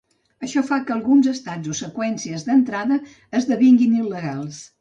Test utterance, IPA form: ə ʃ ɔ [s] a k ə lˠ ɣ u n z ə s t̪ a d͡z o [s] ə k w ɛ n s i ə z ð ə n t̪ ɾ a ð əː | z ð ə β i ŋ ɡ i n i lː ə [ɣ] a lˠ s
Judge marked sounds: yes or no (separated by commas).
no, yes, yes